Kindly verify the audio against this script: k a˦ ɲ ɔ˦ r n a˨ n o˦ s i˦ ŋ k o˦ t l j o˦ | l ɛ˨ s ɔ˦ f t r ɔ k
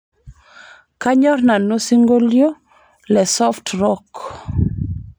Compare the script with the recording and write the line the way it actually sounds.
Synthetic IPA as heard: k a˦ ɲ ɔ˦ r n a˨ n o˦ s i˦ ŋ ɡ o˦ l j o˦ | l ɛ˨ s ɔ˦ f t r ɔ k